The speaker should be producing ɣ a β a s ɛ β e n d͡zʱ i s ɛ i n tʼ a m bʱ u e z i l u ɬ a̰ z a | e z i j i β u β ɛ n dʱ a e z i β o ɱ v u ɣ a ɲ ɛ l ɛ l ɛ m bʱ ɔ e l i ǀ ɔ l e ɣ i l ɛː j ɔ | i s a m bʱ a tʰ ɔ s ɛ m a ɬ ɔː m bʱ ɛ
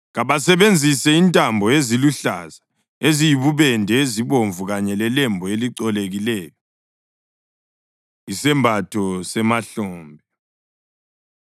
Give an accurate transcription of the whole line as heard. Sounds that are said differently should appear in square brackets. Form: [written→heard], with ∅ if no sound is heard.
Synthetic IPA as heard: ɣ a β a s ɛ β e n d͡zʱ i s ɛ i n tʼ a m bʱ [u→ɔ] e z i l u ɬ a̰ z a | e z i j i β u β ɛ n dʱ [a→ɛ] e z i β o ɱ v u ɣ a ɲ ɛ l ɛ l ɛ m bʱ ɔ e l i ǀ ɔ l e ɣ i l ɛː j ɔ | i s [a→ɛ] m bʱ a tʰ ɔ s ɛ m a ɬ ɔː m bʱ ɛ